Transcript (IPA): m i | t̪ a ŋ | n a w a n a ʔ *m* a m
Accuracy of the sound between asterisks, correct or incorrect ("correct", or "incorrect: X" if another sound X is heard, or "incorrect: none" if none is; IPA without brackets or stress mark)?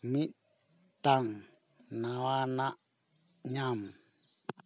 incorrect: ɲ